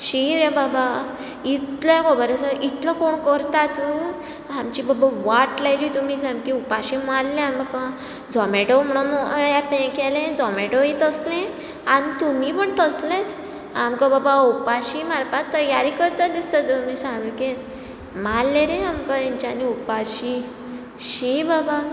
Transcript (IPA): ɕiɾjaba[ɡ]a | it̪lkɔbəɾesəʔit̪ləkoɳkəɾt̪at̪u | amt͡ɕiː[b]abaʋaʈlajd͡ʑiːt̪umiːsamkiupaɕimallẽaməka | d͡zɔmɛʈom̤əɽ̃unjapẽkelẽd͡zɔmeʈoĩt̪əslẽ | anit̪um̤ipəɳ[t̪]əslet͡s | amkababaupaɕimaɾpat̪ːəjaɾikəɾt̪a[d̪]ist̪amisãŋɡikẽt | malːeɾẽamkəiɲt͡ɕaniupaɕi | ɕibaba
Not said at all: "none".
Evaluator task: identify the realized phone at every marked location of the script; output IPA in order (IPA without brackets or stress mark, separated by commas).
b, b, t̪, d̪